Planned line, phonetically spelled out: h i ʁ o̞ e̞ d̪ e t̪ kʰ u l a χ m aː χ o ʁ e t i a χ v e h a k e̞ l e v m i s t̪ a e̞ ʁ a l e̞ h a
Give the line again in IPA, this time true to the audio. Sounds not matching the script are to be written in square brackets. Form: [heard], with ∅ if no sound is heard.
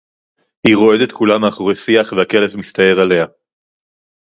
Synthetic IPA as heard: h i ʁ o̞ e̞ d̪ e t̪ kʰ u l a [∅] m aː χ o ʁ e [s] i a χ v e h a k e̞ l e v m i s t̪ a e̞ ʁ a l e̞ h a